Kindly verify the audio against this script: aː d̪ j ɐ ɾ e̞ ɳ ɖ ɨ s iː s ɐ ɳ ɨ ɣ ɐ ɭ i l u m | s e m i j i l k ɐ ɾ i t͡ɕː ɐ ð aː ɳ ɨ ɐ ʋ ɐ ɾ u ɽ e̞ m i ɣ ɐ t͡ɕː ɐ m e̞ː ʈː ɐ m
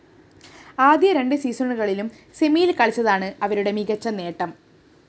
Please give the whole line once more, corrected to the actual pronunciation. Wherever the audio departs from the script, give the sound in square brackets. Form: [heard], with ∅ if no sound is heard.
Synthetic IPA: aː d̪ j ɐ ɾ e̞ ɳ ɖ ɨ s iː s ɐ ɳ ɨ ɣ ɐ ɭ i l u m | s e m i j i l k ɐ [ɭ] i t͡ɕː ɐ ð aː ɳ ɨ ɐ ʋ ɐ ɾ u ɽ e̞ m i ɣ ɐ t͡ɕː ɐ [n] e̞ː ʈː ɐ m